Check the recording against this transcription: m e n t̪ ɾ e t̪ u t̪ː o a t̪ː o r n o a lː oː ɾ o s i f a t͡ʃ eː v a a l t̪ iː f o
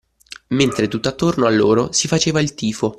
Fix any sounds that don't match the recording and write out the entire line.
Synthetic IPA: m e n t̪ ɾ e t̪ u t̪ː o a t̪ː o r n o a lː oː ɾ o s i f a t͡ʃ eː v a i l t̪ iː f o